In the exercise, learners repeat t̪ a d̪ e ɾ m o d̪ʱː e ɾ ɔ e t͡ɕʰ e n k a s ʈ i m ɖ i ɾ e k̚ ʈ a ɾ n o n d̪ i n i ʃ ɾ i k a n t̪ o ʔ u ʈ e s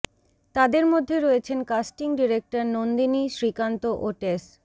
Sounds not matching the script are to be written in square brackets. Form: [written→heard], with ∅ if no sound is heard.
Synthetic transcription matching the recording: t̪ a d̪ e ɾ m o d̪ʱː e ɾ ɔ e t͡ɕʰ e n k a s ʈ i [m→ŋ] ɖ i ɾ e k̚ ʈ a ɾ n o n d̪ i n i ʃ ɾ i k a n t̪ o ʔ [u→o] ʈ e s